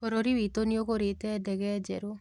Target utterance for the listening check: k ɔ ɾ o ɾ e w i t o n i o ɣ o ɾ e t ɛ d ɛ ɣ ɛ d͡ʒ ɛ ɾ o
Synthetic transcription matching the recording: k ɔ ɾ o ɾ i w i t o n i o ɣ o ɾ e t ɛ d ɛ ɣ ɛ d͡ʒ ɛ ɾ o